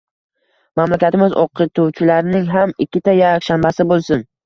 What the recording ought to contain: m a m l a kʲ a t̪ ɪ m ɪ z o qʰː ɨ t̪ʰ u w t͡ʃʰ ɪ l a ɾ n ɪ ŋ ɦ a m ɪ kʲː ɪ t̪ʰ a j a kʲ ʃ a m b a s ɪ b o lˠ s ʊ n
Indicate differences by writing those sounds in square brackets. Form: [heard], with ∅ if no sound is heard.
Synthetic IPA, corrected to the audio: m a m l a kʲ a t̪ ɪ m ɪ z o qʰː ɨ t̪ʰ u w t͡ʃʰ ɪ l a ɾ n ɪ ŋ ɦ a m ɪ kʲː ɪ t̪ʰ a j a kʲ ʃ a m b a s ɪ b o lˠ s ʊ n